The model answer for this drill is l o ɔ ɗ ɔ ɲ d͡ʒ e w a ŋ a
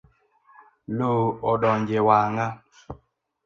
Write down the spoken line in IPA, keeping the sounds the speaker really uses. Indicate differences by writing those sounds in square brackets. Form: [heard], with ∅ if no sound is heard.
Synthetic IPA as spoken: l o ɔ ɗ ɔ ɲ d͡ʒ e w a ŋ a